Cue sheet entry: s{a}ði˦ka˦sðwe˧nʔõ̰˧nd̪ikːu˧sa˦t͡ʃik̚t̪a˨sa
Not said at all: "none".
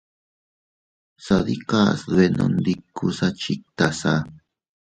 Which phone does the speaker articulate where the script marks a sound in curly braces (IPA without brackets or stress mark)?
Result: a